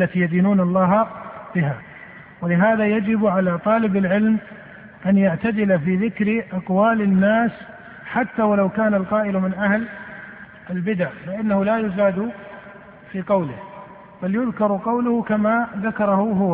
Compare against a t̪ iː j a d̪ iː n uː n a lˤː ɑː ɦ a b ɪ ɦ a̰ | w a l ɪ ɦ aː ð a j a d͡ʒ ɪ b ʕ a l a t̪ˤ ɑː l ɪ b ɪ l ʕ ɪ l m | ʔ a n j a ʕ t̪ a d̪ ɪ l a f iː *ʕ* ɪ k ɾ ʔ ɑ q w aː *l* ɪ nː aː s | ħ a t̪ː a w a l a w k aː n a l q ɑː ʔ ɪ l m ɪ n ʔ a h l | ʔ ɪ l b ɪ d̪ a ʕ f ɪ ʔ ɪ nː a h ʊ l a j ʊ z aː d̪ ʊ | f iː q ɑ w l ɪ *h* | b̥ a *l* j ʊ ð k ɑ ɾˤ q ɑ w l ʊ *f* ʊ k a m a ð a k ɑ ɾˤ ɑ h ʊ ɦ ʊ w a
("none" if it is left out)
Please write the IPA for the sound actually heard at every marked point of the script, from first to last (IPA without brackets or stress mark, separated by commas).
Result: ð, l, h, l, h